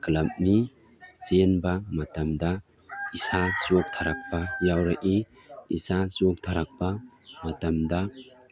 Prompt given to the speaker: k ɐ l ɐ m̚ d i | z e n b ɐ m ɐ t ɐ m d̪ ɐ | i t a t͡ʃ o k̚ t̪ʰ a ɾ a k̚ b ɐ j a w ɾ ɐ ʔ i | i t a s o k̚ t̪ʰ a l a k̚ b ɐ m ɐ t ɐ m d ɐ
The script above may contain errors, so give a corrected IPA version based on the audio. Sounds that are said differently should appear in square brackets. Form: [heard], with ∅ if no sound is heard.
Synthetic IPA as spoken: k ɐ l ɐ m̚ [n] i | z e n b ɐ m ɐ t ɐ m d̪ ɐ | i [s] a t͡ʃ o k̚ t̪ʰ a ɾ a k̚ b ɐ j a w ɾ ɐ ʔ i | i [s] a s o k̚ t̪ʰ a [ɾ] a k̚ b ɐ m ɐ t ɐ m d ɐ